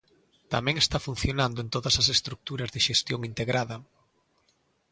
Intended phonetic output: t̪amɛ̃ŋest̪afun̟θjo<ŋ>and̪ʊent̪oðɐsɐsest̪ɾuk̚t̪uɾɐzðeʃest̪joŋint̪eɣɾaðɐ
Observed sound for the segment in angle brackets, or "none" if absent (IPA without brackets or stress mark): n